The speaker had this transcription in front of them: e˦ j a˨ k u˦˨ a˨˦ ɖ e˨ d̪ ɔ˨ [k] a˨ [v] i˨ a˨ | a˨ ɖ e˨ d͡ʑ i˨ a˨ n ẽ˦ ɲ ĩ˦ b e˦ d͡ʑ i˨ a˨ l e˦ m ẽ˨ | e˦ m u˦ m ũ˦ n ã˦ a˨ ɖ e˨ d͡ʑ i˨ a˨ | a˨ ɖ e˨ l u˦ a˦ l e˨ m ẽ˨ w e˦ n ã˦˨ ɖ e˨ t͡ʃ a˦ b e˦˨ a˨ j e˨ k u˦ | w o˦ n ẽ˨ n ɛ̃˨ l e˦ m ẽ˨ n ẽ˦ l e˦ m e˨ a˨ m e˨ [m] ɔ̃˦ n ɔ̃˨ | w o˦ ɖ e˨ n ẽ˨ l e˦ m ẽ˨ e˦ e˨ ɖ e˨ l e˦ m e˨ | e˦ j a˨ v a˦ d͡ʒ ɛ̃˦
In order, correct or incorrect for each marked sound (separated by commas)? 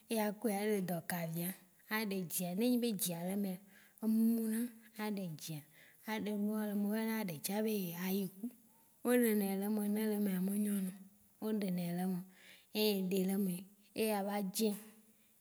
correct, correct, incorrect